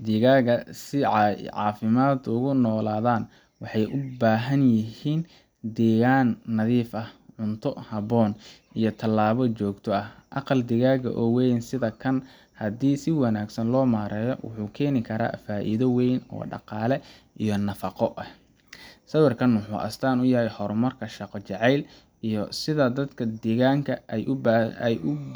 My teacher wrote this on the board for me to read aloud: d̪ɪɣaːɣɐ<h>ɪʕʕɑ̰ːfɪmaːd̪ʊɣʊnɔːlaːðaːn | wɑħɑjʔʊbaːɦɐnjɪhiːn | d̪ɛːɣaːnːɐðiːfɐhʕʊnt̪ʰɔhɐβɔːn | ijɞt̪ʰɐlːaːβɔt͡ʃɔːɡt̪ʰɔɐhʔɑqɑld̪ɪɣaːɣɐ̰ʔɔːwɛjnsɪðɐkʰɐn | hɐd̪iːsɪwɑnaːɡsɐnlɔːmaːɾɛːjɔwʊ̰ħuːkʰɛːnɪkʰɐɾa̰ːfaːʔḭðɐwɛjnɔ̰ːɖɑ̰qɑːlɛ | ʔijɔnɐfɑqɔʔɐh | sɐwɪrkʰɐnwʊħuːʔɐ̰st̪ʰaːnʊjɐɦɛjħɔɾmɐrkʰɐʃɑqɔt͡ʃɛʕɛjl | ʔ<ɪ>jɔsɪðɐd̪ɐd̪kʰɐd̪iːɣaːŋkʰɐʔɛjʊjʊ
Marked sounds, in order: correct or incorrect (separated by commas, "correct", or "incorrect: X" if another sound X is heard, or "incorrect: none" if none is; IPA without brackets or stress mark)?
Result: incorrect: s, incorrect: i